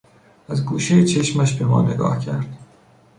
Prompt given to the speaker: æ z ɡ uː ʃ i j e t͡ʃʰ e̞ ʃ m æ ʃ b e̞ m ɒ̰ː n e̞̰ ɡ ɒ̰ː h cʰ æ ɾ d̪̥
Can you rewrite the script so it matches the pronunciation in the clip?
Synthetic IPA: æ z ɡ uː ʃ e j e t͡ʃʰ e̞ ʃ m æ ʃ b e̞ m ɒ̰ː n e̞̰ ɡ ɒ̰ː h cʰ æ ɾ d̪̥